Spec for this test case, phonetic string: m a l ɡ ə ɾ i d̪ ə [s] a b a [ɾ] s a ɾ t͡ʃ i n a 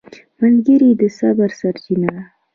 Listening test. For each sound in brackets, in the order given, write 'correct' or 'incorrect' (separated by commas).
correct, correct